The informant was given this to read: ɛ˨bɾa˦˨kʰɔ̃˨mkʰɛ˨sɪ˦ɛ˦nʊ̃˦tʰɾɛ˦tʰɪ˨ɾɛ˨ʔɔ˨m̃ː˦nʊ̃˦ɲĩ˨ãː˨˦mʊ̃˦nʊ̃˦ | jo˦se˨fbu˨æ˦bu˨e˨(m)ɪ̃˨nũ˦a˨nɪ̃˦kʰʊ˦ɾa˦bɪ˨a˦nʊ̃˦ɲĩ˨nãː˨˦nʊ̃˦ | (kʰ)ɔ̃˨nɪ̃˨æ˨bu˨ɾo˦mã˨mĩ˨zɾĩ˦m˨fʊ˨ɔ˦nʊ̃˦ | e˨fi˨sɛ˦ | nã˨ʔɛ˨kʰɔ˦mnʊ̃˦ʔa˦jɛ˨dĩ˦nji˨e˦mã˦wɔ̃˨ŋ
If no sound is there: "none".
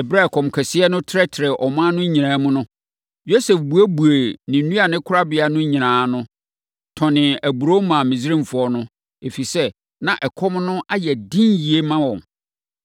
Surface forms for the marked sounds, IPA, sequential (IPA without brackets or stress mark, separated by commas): n, tʰ